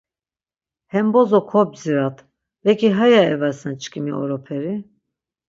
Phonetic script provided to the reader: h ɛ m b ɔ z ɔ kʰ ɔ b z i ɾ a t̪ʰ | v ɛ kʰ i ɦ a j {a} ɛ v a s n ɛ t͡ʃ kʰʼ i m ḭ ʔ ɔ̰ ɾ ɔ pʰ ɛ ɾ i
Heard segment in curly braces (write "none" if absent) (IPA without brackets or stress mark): a